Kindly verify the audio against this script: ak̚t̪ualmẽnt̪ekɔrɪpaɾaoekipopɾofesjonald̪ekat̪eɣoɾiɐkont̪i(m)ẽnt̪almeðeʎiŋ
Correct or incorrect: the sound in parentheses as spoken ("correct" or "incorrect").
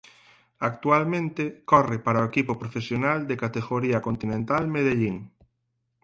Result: incorrect